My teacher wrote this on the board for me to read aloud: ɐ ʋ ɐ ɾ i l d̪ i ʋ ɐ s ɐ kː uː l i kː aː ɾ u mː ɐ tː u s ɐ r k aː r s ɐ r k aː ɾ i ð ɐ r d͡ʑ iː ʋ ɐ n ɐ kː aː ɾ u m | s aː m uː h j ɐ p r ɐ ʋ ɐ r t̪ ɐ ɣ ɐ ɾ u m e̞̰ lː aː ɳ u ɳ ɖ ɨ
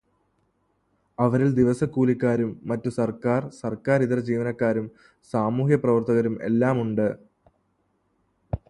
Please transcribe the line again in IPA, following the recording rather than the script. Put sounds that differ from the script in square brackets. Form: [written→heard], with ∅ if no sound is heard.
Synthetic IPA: ɐ ʋ ɐ ɾ i l d̪ i ʋ ɐ s ɐ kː uː l i kː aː ɾ u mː ɐ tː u s ɐ r k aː r s ɐ r k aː ɾ i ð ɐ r d͡ʑ iː ʋ ɐ n ɐ kː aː ɾ u m | s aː m uː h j ɐ p r ɐ ʋ ɐ r t̪ ɐ ɣ ɐ ɾ u m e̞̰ lː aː [ɳ→m] u ɳ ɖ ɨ